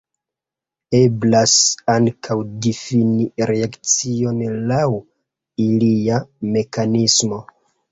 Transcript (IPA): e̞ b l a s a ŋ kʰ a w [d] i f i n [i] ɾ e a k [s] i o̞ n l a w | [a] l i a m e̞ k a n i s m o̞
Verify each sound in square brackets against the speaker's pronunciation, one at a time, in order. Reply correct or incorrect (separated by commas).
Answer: correct, correct, incorrect, incorrect